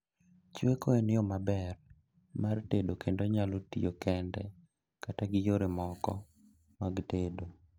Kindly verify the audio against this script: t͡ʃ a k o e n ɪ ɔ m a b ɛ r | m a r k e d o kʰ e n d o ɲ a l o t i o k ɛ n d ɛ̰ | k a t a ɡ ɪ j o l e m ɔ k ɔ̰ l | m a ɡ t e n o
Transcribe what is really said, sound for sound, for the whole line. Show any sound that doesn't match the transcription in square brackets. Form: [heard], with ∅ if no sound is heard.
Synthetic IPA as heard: t͡ʃ [e] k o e n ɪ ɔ m a b ɛ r | m a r [t] e d o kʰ e n d o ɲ a l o t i o k ɛ n d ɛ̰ | k a t a ɡ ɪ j o [ɾ] e m ɔ k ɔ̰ [∅] | m a ɡ t e [d] o